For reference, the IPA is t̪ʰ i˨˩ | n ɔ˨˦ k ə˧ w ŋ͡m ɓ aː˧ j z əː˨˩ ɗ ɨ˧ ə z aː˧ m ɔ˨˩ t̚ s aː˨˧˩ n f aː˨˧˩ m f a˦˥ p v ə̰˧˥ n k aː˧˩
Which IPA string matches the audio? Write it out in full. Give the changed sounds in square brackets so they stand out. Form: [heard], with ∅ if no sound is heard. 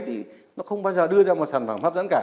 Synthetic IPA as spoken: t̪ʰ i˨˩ | n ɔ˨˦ [x] ə˧ w ŋ͡m ɓ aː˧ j z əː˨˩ ɗ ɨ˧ ə z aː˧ m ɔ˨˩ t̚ s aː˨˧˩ n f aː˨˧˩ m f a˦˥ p [z] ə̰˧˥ n k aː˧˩